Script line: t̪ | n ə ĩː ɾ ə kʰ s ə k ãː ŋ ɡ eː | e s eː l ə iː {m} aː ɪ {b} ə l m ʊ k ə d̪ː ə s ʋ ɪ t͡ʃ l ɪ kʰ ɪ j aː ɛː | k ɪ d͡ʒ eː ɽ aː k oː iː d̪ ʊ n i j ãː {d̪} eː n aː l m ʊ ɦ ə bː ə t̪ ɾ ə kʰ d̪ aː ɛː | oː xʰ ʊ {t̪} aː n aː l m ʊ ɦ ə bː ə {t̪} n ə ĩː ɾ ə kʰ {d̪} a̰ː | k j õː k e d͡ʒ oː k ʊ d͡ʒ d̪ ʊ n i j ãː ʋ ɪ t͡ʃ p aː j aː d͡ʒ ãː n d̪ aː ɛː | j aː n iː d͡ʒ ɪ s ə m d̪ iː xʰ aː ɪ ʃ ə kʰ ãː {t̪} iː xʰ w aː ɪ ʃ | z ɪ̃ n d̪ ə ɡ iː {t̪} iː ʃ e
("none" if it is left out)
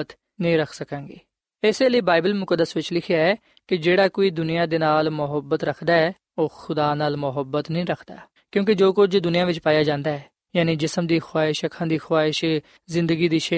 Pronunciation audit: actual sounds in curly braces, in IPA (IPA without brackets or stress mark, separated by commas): b, b, d̪, d̪, t̪, d̪, d̪, d̪